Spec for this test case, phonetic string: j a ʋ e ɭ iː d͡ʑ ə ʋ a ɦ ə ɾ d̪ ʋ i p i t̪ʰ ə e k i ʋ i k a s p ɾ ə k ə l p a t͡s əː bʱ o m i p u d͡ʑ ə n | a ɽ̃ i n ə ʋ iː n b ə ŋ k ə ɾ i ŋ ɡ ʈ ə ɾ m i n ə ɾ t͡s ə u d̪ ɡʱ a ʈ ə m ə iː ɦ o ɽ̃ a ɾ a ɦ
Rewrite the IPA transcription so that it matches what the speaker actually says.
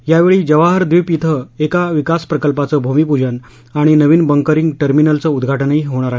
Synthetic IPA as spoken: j a ʋ e ɭ iː d͡ʑ ə ʋ a ɦ ə ɾ d̪ ʋ i p i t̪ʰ ə e k a ʋ i k a s p ɾ ə k ə l p a t͡s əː bʱ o m i p u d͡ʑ ə n | a ɽ̃ i n ə ʋ iː n b ə ŋ k ə ɾ i ŋ ɡ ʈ ə ɾ m i n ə l t͡s ə u d̪ ɡʱ a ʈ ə n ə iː ɦ o ɽ̃ a ɾ a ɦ